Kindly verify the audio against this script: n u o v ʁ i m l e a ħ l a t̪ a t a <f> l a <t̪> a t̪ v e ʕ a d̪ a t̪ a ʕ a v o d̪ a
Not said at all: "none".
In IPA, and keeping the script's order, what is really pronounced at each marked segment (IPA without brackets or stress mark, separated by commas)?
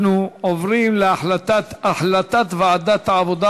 ħ, t̪